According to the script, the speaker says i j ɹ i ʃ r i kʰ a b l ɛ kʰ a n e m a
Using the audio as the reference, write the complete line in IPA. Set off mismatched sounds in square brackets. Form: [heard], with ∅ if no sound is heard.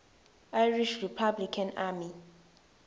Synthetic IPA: [a] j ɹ i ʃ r i [pʰ] a b l [i] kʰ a n [a] m [i]